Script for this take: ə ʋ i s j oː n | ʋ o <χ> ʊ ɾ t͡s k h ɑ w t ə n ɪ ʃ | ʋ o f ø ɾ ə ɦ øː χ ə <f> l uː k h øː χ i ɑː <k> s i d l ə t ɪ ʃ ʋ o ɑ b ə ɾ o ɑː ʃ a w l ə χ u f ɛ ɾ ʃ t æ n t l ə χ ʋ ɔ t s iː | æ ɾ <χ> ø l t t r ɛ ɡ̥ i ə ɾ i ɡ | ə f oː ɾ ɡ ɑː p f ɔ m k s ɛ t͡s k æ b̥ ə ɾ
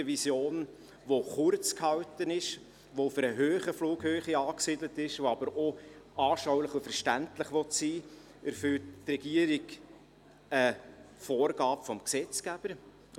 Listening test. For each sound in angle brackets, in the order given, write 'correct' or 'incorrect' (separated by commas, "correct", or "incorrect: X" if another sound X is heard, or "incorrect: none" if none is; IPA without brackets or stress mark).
correct, correct, correct, incorrect: f